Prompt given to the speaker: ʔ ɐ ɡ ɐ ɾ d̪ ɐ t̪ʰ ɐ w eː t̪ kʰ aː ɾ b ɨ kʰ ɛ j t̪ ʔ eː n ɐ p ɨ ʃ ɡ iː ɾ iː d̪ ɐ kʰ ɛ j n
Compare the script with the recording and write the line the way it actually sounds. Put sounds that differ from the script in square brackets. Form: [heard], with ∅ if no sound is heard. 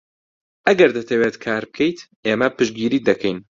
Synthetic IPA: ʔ ɐ ɡ ɐ ɾ d̪ ɐ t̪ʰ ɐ w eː t̪ kʰ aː ɾ b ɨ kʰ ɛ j t̪ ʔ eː [m] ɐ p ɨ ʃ ɡ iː ɾ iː d̪ ɐ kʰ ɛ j n